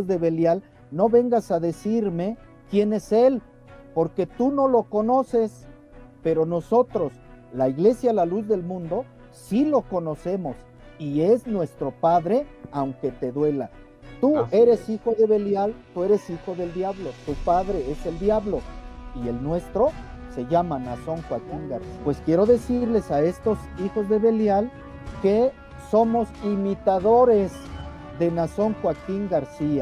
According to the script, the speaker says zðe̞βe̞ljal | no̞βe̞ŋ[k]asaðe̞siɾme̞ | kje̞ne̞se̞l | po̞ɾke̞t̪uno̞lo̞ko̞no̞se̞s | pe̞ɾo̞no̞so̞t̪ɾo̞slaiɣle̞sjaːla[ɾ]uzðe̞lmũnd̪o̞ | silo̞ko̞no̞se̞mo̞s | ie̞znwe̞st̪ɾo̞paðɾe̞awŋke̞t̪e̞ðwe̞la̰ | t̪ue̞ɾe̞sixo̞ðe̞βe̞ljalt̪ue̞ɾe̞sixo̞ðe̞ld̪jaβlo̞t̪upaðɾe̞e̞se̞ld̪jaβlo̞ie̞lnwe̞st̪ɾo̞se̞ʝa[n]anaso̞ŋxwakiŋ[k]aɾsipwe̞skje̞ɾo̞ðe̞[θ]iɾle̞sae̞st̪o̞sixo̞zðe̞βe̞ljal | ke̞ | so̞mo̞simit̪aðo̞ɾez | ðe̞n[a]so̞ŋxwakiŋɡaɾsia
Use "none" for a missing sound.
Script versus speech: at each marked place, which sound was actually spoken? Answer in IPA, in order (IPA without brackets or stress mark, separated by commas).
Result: ɡ, l, m, ɡ, s, a